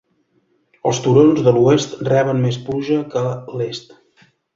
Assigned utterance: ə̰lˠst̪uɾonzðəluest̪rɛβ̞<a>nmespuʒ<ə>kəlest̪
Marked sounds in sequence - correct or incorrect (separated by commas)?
incorrect, correct